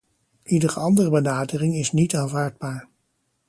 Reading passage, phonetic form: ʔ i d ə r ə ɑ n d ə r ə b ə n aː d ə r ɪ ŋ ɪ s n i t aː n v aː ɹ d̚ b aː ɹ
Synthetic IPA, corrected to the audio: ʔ i d ə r ə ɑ n d ə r ə b ə n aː d ə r ɪ ŋ ɪ s n i t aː n v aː ɹ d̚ b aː ɹ